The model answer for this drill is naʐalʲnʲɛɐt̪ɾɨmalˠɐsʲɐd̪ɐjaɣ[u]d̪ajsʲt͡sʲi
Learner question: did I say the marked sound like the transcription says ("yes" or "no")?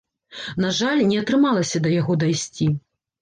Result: no